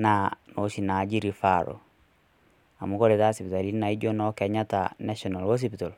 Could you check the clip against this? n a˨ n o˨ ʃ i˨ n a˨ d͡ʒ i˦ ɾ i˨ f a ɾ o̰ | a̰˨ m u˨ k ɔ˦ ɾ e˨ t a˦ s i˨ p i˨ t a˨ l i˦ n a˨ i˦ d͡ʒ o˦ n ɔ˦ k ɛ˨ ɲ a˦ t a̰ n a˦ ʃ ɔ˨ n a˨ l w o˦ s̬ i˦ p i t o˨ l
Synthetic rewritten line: n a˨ n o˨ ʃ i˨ n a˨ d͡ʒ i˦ ɾ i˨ f a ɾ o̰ | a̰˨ m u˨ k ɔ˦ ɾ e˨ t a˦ s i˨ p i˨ t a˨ l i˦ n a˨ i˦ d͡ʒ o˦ n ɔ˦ k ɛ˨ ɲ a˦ t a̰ n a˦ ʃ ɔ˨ n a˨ l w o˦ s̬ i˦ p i t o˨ l